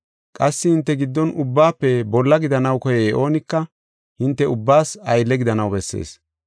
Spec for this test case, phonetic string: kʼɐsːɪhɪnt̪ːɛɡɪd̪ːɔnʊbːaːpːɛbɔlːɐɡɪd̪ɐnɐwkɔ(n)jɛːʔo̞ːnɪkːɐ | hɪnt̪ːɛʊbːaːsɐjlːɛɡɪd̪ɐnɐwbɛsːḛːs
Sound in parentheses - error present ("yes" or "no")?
yes